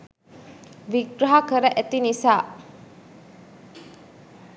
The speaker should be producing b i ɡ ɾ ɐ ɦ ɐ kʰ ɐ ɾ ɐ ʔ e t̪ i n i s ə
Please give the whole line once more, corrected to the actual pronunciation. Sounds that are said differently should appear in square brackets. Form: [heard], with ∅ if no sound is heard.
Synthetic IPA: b i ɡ ɾ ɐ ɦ [a] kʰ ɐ ɾ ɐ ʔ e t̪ i n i s [a]